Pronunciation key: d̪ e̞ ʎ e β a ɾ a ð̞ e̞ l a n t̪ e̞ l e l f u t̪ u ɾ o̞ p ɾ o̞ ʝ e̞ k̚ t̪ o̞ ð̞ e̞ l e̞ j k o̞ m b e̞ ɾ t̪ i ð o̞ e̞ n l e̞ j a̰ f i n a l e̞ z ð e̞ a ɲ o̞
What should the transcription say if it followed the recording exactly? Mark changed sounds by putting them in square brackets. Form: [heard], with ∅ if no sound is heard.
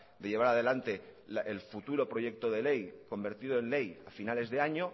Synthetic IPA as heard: d̪ e̞ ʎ e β a ɾ a ð̞ e̞ l a n t̪ e̞ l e l f u t̪ u ɾ o̞ p ɾ o̞ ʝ e̞ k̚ t̪ o̞ ð̞ e̞ l e̞ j k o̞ m b e̞ ɾ t̪ i ð o̞ e̞ n l e̞ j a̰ f i n a l e̞ z ð e̞ a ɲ o̞